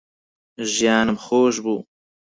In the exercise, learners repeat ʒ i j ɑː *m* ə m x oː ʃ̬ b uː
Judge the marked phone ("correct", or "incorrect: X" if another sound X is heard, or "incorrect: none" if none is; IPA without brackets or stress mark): incorrect: n